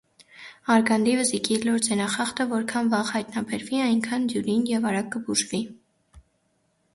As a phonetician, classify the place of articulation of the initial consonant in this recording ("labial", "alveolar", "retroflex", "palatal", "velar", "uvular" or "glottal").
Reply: alveolar